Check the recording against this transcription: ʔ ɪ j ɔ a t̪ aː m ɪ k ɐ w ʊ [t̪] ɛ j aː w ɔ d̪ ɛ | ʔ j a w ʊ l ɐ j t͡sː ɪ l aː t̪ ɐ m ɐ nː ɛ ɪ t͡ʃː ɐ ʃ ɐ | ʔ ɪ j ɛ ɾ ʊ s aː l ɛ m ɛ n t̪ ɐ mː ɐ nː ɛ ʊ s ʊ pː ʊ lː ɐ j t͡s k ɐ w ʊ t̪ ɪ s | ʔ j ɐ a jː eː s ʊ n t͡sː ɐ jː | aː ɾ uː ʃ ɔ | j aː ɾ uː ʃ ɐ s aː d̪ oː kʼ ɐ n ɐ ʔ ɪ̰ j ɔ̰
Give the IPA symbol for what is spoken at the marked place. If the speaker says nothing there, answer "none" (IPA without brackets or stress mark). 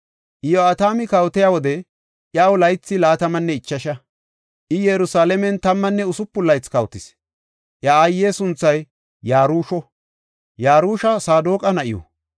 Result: t̪